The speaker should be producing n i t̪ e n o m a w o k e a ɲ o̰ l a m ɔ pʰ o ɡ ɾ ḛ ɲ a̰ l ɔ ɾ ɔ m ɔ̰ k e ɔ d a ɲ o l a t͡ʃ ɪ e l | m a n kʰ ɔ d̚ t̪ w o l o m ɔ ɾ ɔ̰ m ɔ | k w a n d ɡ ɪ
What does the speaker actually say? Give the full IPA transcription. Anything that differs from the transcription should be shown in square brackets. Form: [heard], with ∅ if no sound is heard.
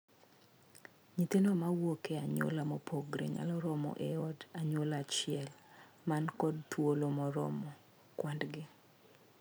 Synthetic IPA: [ɲ] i t̪ e n o m a w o k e a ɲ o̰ l a m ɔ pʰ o ɡ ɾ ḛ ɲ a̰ l ɔ ɾ ɔ m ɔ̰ [ʔ] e ɔ d a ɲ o l a t͡ʃ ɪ [ɛ] l | m a n [k] ɔ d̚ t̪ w o l o m ɔ ɾ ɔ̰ m ɔ | k w a n d ɡ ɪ